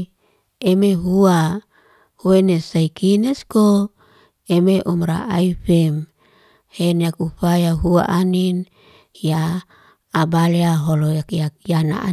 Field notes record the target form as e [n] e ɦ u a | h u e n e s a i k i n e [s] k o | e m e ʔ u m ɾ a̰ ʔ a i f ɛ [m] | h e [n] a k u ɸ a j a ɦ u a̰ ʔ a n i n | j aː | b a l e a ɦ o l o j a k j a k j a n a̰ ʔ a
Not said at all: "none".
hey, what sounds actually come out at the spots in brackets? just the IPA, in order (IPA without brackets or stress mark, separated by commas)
m, s, m, n